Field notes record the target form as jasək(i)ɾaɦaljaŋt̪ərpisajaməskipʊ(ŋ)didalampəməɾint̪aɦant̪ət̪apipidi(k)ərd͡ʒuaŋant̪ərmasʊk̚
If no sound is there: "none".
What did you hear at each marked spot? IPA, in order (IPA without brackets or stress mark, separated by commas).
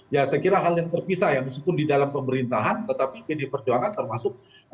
i, n, p